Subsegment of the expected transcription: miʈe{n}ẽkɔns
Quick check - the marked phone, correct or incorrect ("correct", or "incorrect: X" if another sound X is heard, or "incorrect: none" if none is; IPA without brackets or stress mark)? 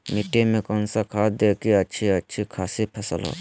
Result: incorrect: m